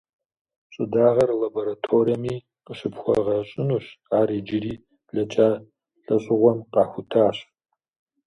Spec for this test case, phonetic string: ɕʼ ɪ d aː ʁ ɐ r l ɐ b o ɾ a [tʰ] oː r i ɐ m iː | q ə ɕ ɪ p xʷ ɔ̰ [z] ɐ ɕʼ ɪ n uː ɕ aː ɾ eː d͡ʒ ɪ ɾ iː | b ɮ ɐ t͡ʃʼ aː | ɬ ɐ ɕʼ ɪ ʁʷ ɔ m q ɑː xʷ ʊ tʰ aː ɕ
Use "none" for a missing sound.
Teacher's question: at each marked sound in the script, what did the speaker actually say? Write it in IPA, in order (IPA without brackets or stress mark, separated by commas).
tʰ, ʁ